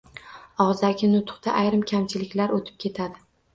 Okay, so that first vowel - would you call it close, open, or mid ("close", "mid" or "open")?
open